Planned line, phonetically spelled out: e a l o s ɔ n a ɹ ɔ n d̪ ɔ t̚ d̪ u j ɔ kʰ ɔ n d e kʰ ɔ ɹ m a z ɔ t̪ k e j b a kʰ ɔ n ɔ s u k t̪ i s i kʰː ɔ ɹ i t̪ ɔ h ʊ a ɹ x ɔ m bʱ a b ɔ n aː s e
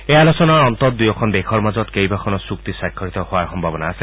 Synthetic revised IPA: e a l o s ɔ n a ɹ ɔ n t̪ ɔ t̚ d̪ u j ɔ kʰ ɔ n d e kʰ ɔ ɹ m a z ɔ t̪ k e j b a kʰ ɔ n ɔ s u k t̪ i s a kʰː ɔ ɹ i t̪ ɔ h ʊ a ɹ x ɔ m bʱ a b ɔ n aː s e